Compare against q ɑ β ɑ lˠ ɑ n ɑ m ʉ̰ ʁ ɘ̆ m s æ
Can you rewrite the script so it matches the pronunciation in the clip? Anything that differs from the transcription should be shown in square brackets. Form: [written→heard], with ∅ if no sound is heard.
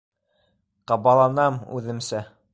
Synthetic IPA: q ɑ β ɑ lˠ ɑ n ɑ m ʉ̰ [ʁ→ð] ɘ̆ m s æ